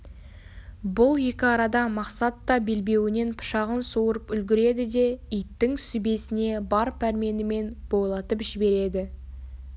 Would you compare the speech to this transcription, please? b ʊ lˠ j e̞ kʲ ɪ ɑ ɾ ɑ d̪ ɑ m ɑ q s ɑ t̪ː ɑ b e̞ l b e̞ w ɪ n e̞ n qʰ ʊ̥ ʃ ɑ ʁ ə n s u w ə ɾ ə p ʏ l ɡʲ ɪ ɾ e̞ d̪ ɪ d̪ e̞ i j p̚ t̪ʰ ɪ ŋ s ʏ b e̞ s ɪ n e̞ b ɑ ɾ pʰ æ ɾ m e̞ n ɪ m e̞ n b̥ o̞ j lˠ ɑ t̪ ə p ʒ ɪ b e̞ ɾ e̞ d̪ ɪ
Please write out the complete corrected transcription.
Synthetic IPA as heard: b ʊ lˠ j e̞ kʲ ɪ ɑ ɾ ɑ d̪ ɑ m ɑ q s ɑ t̪ː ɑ b e̞ l b e̞ w ɪ n e̞ n pʰ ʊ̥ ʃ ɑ ʁ ə n s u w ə ɾ ə p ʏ l ɡʲ ɪ ɾ e̞ d̪ ɪ d̪ e̞ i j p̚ t̪ ɪ ŋ s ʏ b e̞ s ɪ n e̞ b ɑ ɾ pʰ æ ɾ m e̞ n ɪ m e̞ n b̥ o̞ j lˠ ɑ t̪ ə p ʒ ɪ b e̞ ɾ e̞ d̪ ɪ

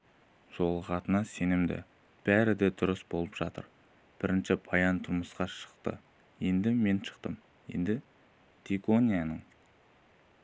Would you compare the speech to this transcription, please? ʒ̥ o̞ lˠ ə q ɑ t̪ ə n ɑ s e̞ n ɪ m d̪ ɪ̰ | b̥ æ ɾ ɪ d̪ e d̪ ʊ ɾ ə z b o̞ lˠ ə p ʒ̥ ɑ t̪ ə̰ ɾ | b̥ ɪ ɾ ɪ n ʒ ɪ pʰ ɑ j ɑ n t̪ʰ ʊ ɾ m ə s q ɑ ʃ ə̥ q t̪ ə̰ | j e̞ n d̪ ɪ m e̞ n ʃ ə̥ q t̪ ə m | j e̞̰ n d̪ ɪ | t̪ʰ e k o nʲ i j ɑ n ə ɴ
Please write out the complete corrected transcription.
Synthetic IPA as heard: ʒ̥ o̞ lˠ ə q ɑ t̪ ə n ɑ s e̞ n ɪ m d̪ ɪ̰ | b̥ æ ɾ ɪ d̪ e d̪ ʊ ɾ ə s b o̞ lˠ ə p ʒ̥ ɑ t̪ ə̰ ɾ | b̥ ɪ ɾ ɪ n ʃ ɪ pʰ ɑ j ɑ n t̪ʰ ʊ ɾ m ə s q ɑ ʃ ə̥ q t̪ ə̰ | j e̞ n d̪ ɪ m e̞ n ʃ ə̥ q t̪ ə m | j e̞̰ n d̪ ɪ | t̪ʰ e k o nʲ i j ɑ n ə ɴ

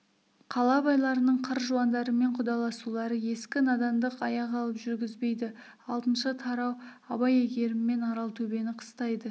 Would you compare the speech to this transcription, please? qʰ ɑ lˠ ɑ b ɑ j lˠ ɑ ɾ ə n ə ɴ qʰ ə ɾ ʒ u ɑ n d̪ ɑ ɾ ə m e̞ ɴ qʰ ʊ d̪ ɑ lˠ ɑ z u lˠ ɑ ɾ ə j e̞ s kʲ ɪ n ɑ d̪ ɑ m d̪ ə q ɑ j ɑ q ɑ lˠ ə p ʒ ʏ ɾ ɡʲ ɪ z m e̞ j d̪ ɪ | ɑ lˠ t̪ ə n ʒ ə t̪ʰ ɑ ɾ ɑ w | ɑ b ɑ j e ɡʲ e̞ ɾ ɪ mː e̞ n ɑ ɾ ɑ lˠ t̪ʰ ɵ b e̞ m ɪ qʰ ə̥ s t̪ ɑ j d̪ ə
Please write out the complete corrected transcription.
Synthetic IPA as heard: qʰ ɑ lˠ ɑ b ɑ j lˠ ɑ ɾ ə n ə ɴ qʰ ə ɾ ʒ u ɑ n d̪ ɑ ɾ ə m e̞ ɴ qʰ ʊ d̪ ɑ lˠ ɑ s u lˠ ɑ ɾ ə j e̞ s kʲ ɪ n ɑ d̪ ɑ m d̪ ə q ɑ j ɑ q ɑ lˠ ə p ʒ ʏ ɾ ɡʲ ɪ z b e̞ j d̪ ɪ | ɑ lˠ t̪ ə n ʃ ə t̪ʰ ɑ ɾ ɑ w | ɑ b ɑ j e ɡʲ e̞ ɾ ɪ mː e̞ n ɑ ɾ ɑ lˠ t̪ʰ ɵ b e̞ n ɪ qʰ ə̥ s t̪ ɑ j d̪ ə

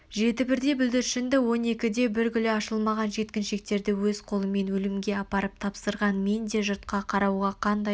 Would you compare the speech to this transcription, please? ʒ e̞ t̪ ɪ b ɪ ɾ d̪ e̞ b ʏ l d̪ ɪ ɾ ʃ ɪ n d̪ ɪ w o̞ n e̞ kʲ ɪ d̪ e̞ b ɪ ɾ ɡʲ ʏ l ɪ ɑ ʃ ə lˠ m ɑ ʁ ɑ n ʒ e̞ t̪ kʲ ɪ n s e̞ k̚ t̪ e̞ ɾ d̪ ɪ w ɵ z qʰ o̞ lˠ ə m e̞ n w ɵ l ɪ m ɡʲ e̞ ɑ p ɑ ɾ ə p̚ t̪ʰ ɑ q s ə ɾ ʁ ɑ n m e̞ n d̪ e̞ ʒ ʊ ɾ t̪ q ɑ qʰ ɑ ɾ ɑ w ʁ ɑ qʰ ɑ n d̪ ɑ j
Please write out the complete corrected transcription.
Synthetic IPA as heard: ʒ e̞ t̪ ɪ b ɪ ɾ d̪ e̞ b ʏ l d̪ ɪ ɾ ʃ ɪ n d̪ ɪ w o̞ n e̞ kʲ ɪ d̪ e̞ b ɪ ɾ ɡʲ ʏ l ɪ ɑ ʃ ə lˠ m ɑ ʁ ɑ n ʒ e̞ t̪ kʲ ɪ n ʃ e̞ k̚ t̪ e̞ ɾ d̪ ɪ w ɵ z qʰ o̞ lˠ ə m e̞ n w ɵ l ɪ m ɡʲ e̞ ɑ p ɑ ɾ ə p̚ t̪ʰ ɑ p s ə ɾ ʁ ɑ n m e̞ n d̪ e̞ ʒ ʊ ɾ t̪ q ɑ qʰ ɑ ɾ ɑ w ʁ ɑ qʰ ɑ n d̪ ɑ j

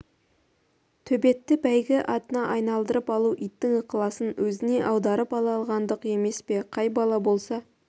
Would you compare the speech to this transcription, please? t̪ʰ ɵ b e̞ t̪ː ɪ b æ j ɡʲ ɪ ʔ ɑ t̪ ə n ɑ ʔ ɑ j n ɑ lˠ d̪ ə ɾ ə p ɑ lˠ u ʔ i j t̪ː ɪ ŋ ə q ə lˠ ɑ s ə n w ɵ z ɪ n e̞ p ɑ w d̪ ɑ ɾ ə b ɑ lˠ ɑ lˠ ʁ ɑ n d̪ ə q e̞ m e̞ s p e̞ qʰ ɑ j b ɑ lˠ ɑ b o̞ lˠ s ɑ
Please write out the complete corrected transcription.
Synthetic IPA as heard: t̪ʰ ɵ b e̞ t̪ː ɪ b æ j ɡʲ ɪ ʔ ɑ t̪ ə n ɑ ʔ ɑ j n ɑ lˠ d̪ ə ɾ ə p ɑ lˠ u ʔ i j t̪ː ɪ ŋ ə q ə lˠ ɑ s ə n w ɵ z ɪ n e̞ ʔ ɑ w d̪ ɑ ɾ ə p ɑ lˠ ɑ lˠ ʁ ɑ n d̪ ə q e̞ m e̞ s p e̞ qʰ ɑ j b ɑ lˠ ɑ b o̞ lˠ s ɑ

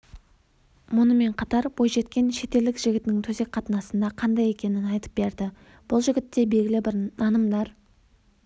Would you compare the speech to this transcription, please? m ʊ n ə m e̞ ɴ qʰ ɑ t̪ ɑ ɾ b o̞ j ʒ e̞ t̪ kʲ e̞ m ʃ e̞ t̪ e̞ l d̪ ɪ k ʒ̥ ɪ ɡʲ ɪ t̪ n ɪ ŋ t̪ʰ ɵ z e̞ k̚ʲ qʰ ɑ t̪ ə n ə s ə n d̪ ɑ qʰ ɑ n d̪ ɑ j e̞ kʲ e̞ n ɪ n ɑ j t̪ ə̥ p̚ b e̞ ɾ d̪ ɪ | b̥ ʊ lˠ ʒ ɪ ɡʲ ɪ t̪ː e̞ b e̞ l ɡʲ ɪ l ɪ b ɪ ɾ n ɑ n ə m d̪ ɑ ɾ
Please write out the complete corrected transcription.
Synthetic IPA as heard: m ʊ n ə m e̞ ɴ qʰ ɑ t̪ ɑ ɾ b o̞ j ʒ e̞ t̪ kʲ e̞ n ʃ e̞ t̪ e̞ l d̪ ɪ k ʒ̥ ɪ ɡʲ ɪ t̪ n ɪ ŋ t̪ʰ ɵ z e̞ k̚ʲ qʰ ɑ t̪ ə n ɑ s ə n d̪ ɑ qʰ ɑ n d̪ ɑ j e̞ kʲ e̞ n ɪ n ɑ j t̪ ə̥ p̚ b e̞ ɾ d̪ ɪ | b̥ ʊ lˠ ʒ ɪ ɡʲ ɪ t̪ː e̞ b e̞ l ɡʲ ɪ l ɪ b ɪ ɾ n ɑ n ə m d̪ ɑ ɾ

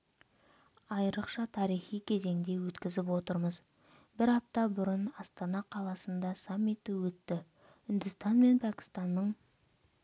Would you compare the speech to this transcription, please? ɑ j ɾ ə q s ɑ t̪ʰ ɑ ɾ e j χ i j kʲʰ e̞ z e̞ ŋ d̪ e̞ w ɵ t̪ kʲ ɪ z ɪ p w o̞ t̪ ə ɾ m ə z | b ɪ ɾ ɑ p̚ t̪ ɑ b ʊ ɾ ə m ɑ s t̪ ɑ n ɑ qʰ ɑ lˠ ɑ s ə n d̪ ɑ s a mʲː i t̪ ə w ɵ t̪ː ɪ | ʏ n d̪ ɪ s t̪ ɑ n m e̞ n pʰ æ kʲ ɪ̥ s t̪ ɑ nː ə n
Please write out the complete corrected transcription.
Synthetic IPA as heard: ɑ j ɾ ə q ʃ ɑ t̪ʰ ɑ ɾ i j χ i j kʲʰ e̞ z e̞ ŋ d̪ e̞ w ɵ t̪ kʲ ɪ z ɪ p w o̞ t̪ ə ɾ m ə z | b ɪ ɾ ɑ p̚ t̪ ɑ b ʊ ɾ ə n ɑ s t̪ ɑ n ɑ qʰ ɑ lˠ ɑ s ə n d̪ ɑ s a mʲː i t̪ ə w ɵ t̪ː ɪ | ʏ n d̪ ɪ s t̪ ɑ n m e̞ n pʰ æ kʲ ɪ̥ s t̪ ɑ nː ə ɴ

